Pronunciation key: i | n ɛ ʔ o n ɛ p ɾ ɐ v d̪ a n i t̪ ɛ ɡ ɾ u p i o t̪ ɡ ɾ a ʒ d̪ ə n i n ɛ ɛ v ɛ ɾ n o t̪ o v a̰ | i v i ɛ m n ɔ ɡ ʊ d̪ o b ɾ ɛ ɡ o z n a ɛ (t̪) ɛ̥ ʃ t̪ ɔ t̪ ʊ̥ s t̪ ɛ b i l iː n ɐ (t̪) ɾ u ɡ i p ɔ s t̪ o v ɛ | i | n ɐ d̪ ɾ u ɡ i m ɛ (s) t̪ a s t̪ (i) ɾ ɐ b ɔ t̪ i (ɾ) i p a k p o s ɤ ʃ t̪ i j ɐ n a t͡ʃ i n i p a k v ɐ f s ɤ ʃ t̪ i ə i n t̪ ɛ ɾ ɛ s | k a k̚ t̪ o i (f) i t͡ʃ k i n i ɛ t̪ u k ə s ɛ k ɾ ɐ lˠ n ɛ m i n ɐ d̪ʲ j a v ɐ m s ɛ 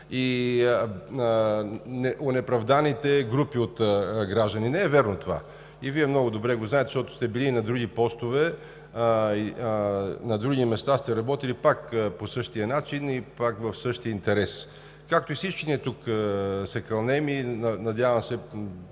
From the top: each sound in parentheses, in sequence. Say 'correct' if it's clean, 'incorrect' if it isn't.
correct, incorrect: d̪, correct, incorrect: ɛ, incorrect: l, incorrect: s

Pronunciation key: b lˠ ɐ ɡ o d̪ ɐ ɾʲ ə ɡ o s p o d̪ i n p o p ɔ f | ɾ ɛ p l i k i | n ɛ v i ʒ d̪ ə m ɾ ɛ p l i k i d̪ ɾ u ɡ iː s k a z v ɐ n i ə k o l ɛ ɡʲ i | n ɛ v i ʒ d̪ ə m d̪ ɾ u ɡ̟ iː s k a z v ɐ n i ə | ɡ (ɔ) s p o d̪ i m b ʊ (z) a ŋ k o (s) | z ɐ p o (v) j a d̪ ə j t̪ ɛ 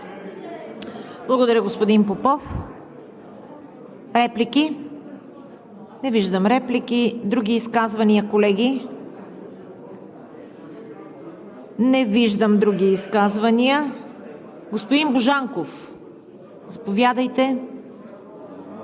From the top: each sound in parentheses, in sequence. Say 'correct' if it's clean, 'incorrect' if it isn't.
incorrect: o, incorrect: ʒ, incorrect: f, correct

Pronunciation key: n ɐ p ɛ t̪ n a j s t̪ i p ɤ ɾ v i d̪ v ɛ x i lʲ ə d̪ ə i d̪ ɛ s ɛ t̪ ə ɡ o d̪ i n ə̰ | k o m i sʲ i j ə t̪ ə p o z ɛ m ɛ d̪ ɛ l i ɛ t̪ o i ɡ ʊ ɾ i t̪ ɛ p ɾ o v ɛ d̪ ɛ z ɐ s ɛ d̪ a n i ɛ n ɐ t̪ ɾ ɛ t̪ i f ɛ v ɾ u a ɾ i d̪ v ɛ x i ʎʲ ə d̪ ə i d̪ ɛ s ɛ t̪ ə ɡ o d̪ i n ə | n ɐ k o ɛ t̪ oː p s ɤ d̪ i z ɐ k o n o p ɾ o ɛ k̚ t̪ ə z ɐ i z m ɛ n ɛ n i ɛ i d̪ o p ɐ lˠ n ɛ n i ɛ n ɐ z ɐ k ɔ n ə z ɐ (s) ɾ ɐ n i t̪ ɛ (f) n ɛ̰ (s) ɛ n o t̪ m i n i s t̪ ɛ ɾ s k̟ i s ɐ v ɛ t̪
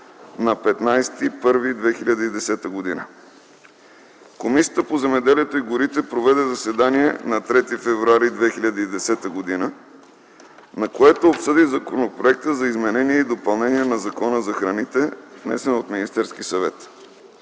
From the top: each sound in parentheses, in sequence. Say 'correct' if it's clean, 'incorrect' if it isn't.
incorrect: x, incorrect: v, correct

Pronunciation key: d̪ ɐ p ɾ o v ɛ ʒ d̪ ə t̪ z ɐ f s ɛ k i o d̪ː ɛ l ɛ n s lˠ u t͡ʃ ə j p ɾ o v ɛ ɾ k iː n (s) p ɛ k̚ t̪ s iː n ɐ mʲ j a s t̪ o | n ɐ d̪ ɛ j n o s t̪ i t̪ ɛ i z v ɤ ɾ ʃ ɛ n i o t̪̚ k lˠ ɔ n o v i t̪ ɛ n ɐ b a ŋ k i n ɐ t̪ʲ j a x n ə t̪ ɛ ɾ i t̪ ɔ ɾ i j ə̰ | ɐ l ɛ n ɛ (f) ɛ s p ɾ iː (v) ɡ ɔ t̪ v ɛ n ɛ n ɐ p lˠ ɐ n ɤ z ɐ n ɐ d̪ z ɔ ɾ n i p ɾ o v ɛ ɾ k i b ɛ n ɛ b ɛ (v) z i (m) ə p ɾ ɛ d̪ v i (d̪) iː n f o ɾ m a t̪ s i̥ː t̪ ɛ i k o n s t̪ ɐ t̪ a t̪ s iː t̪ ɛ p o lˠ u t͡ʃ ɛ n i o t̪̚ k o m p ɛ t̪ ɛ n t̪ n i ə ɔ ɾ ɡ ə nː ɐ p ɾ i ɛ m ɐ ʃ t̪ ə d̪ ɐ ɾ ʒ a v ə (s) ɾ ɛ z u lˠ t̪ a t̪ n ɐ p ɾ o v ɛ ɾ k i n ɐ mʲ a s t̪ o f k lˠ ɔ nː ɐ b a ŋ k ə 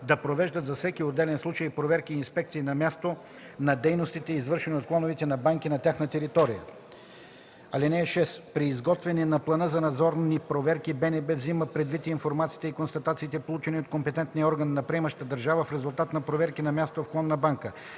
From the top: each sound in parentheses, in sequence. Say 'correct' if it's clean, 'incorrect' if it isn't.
correct, incorrect: ʃ, incorrect: z, correct, correct, incorrect: t̪, incorrect: f

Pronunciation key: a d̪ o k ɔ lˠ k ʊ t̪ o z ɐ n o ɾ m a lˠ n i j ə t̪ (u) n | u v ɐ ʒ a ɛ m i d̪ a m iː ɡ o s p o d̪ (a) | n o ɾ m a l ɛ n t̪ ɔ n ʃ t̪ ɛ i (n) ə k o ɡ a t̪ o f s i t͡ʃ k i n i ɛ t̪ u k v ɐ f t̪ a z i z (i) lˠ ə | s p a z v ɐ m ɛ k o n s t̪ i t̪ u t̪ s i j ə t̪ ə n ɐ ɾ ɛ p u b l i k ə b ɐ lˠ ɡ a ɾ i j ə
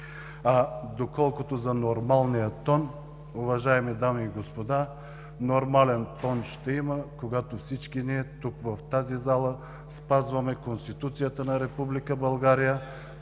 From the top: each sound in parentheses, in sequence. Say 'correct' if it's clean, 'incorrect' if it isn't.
incorrect: ɔ, correct, incorrect: m, incorrect: a

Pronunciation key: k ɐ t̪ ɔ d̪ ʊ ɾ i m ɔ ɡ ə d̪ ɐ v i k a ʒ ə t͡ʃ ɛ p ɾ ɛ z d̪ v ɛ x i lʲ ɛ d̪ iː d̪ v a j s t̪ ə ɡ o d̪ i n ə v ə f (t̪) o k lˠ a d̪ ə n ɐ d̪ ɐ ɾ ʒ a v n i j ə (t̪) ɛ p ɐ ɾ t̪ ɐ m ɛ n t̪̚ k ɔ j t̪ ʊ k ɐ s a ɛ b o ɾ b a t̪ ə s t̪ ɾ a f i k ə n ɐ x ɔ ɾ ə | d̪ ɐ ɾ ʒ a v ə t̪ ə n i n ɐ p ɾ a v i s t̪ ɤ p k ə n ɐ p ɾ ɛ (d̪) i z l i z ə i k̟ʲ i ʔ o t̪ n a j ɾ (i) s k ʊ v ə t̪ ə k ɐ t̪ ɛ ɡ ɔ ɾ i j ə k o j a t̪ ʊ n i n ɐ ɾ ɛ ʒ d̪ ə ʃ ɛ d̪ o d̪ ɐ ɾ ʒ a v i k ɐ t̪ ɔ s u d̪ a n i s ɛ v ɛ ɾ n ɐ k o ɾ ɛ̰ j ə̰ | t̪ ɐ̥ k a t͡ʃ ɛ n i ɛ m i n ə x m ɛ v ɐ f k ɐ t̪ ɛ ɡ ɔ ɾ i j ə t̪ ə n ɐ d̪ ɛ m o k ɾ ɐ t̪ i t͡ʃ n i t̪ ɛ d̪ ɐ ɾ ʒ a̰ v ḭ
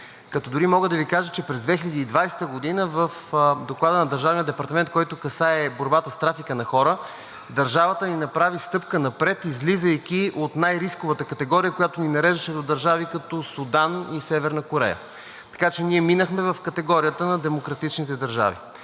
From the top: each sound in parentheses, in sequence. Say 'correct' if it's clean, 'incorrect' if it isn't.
incorrect: d̪, incorrect: d̪, incorrect: t̪, correct

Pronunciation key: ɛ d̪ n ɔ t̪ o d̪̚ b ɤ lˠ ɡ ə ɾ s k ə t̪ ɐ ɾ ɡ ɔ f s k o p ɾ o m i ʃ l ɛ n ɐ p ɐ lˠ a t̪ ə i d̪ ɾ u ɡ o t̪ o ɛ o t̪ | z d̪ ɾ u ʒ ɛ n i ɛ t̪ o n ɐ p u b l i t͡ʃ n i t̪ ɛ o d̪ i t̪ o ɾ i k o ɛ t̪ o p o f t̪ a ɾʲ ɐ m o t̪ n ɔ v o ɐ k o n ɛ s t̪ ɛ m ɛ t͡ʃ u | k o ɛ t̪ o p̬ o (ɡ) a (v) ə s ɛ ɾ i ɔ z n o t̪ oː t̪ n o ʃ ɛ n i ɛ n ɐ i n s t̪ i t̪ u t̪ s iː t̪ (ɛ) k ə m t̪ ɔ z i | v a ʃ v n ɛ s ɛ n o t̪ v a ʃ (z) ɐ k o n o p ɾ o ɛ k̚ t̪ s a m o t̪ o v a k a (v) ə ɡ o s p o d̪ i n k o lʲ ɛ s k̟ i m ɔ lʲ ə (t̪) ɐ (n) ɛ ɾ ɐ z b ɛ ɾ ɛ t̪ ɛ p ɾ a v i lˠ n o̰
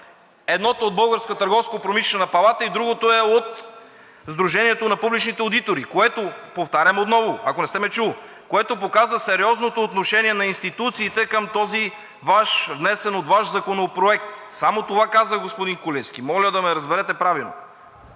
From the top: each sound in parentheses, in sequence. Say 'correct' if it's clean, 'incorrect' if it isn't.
incorrect: k, incorrect: z, correct, correct, incorrect: z, incorrect: d̪, incorrect: m

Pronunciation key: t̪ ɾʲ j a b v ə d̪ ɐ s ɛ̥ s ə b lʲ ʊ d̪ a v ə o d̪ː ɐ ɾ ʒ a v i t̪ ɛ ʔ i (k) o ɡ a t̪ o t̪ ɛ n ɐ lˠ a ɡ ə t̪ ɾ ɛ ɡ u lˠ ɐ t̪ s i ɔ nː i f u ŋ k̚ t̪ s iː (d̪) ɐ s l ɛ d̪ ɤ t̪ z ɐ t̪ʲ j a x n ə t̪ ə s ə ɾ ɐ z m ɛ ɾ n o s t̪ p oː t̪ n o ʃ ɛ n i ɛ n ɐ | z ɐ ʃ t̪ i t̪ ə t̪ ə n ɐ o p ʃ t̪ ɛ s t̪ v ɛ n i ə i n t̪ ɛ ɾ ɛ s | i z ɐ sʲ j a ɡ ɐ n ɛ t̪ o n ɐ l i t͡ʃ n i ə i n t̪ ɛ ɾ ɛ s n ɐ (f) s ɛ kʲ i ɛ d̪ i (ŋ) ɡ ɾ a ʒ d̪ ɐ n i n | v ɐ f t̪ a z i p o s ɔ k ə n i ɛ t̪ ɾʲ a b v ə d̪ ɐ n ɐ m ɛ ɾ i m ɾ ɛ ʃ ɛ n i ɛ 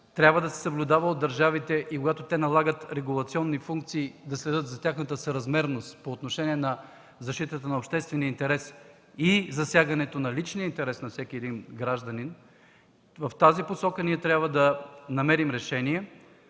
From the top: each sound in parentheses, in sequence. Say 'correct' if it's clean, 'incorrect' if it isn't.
correct, correct, correct, incorrect: n

